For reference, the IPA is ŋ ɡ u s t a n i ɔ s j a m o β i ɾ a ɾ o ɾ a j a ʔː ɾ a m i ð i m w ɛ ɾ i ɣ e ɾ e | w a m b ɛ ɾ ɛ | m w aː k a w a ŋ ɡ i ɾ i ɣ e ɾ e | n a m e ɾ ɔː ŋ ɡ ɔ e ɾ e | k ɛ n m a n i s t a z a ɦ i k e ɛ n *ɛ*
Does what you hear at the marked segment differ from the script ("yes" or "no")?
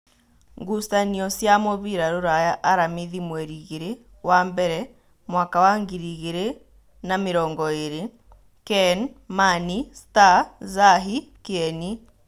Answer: yes